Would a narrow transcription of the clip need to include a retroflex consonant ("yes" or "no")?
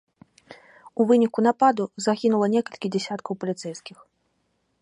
no